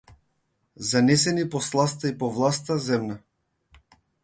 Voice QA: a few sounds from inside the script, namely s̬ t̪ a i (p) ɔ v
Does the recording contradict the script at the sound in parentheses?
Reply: no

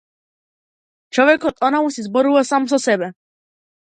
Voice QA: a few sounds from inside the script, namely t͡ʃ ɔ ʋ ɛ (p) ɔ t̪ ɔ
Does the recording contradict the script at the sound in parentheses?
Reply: yes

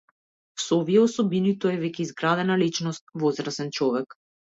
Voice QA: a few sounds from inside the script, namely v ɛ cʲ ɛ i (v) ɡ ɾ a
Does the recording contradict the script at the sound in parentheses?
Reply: yes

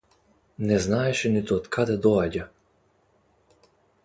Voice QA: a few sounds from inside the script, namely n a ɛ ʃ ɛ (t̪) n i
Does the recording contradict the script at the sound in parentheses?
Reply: yes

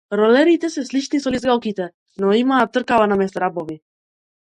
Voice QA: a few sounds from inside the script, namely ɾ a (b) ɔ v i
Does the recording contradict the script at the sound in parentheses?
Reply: no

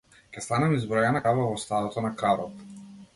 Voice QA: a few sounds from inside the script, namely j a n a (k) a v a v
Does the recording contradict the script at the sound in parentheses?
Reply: no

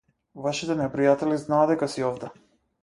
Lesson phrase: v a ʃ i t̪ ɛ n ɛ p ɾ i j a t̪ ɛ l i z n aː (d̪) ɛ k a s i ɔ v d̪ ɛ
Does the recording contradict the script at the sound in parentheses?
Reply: no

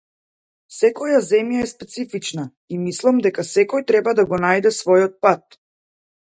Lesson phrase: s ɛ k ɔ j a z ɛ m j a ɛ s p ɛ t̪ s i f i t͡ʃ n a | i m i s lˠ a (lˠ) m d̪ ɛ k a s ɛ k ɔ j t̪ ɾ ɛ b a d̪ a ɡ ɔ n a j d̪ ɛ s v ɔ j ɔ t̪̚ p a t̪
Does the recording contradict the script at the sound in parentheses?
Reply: yes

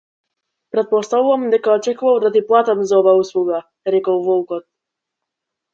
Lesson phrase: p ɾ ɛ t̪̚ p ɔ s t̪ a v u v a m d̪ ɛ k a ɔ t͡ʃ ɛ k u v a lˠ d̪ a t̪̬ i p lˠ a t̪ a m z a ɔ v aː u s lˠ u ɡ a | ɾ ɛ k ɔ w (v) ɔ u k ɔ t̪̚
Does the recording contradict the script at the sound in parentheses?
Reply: no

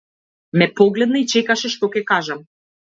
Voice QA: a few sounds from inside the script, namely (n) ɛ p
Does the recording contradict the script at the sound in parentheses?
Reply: yes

